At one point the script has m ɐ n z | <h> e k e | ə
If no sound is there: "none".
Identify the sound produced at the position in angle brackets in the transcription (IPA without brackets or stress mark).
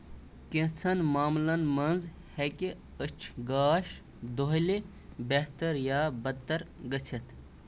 h